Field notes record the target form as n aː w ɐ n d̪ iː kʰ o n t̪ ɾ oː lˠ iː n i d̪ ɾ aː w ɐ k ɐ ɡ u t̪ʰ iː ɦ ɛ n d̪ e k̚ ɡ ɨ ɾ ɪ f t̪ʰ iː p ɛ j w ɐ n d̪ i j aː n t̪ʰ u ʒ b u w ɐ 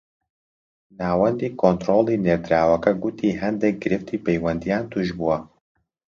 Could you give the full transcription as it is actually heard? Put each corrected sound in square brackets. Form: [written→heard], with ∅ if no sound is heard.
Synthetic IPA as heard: n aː w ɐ n d̪ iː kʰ o n t̪ ɾ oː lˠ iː n [i→e] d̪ ɾ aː w ɐ k ɐ ɡ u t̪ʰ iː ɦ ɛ n d̪ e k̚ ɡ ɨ ɾ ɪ f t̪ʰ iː p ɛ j w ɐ n d̪ i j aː n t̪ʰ u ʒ b u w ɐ